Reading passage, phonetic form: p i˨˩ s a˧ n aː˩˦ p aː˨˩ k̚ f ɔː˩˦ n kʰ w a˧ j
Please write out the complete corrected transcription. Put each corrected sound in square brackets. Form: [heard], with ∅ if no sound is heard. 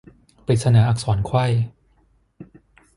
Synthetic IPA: p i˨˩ s a˧ n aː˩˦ [ʔ] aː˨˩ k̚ [s] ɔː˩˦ n kʰ w [a˥˩] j